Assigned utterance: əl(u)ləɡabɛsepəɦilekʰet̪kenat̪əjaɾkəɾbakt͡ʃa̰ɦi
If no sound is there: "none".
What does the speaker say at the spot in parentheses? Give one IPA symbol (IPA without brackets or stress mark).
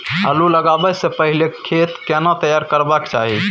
u